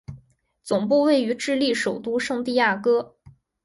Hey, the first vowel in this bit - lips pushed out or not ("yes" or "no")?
yes